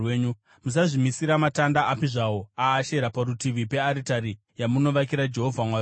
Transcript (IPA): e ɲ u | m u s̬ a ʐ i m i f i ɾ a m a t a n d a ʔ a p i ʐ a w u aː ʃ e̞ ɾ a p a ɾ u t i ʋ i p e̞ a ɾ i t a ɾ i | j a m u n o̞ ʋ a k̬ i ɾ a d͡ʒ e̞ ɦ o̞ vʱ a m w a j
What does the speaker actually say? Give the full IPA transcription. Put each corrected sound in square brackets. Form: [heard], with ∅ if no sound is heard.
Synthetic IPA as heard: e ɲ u | m u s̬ a ʐ i m i [s] i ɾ a m a t a n d a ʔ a p i ʐ a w [o] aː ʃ e̞ ɾ a p a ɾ u t i ʋ i p e̞ a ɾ i t a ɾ i | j a m u n o̞ ʋ a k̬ i ɾ a d͡ʒ e̞ ɦ o̞ vʱ a m w a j